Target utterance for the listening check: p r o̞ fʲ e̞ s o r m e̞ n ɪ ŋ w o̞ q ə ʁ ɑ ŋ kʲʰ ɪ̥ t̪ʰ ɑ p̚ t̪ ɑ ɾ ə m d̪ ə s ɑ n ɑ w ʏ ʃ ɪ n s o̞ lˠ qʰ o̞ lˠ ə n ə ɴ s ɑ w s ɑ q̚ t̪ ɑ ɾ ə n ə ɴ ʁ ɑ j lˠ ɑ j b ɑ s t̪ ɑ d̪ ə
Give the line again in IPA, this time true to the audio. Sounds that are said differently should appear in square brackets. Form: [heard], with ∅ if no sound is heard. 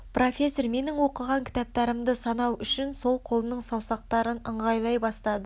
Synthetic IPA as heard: p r o̞ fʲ e̞ s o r m e̞ n ɪ ŋ w o̞ q ə ʁ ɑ ŋ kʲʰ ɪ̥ [t̪] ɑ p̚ t̪ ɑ ɾ ə m d̪ ə s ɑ n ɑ w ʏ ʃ ɪ n s o̞ lˠ qʰ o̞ lˠ ə n ə ɴ s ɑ w s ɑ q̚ t̪ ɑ ɾ ə n ə ɴ ʁ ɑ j lˠ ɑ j b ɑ s t̪ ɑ d̪ ə